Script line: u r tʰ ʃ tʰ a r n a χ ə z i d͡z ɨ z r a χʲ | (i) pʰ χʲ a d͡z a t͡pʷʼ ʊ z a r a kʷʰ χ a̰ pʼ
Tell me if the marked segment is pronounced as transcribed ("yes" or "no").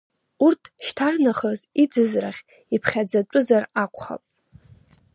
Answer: yes